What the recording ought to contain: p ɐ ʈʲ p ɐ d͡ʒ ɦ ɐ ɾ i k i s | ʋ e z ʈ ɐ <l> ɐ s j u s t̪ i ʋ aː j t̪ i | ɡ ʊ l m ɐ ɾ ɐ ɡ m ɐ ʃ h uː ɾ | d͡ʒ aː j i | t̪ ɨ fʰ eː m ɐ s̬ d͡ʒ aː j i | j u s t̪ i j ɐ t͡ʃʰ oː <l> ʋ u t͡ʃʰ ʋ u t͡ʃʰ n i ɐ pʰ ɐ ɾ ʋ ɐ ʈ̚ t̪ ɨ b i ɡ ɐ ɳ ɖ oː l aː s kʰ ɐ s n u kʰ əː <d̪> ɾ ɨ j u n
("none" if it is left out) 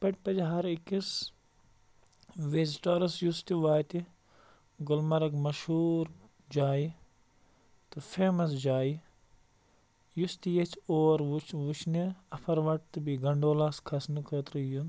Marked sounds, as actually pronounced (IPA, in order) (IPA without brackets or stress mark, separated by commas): ɾ, ɾ, t̪